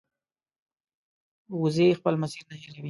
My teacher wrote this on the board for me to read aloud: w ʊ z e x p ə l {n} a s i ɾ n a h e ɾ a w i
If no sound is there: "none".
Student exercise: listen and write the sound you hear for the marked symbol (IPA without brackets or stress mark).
m